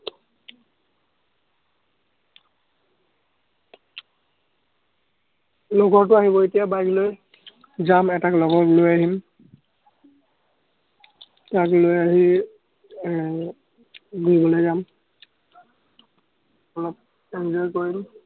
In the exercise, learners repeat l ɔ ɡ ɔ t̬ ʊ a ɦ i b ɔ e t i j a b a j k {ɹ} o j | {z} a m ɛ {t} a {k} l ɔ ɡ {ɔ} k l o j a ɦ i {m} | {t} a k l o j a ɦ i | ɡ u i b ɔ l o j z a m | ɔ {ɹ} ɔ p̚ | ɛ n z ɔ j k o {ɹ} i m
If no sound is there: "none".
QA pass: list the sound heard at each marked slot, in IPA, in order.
l, z, t, k, ɔ, m, t, l, ɹ

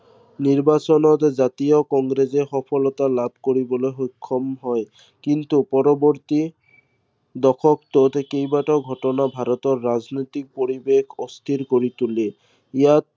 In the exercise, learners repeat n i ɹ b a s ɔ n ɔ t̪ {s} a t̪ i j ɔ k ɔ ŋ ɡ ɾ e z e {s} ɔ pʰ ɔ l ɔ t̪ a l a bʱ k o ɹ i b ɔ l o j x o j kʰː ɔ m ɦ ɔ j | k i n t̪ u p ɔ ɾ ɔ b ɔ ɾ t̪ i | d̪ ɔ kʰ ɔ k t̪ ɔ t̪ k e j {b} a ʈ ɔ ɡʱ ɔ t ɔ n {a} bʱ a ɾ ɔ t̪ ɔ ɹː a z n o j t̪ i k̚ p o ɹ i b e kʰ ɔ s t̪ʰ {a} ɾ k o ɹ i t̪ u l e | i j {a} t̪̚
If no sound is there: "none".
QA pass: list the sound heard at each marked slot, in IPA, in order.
z, x, b, a, i, a

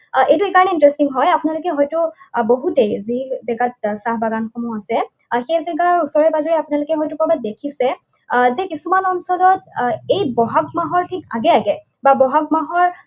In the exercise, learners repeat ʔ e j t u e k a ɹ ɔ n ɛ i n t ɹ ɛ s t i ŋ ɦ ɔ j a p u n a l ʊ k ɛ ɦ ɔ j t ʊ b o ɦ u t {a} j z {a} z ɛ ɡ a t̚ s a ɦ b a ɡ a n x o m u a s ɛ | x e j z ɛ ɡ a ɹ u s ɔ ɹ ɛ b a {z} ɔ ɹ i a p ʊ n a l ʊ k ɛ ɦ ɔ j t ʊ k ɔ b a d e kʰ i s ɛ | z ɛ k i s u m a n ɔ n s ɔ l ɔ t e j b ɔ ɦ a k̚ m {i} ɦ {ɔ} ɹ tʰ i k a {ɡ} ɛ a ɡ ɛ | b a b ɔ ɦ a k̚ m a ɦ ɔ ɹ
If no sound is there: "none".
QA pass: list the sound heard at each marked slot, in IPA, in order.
e, i, z, a, ɔ, ɡ

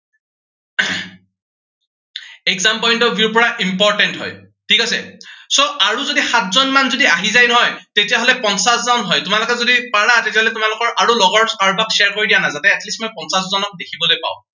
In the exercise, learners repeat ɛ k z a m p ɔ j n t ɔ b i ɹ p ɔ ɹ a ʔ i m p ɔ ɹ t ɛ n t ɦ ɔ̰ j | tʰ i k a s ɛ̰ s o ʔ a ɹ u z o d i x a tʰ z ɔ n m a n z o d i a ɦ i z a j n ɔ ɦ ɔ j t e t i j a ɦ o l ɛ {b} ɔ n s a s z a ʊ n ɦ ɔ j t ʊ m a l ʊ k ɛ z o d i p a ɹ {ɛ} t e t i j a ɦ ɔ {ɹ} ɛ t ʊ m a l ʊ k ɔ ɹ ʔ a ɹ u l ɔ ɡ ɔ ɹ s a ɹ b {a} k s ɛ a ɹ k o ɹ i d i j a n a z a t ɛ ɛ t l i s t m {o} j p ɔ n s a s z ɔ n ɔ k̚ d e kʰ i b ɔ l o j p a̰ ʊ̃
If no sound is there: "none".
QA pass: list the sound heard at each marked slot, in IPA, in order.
p, a, l, a, ɔ

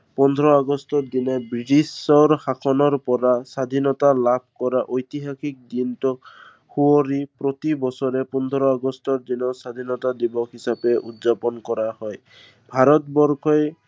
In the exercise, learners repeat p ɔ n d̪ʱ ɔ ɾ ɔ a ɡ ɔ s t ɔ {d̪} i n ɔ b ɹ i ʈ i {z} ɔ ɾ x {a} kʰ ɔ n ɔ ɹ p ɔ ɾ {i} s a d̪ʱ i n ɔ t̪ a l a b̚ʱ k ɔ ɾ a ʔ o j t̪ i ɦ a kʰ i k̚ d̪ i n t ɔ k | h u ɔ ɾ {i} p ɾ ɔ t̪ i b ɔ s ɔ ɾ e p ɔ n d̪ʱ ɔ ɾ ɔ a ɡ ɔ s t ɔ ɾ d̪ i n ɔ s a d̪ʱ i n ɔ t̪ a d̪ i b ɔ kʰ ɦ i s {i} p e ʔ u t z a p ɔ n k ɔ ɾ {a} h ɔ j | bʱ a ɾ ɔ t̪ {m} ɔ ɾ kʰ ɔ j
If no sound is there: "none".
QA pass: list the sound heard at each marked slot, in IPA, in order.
d̪, s, a, a, i, a, a, b

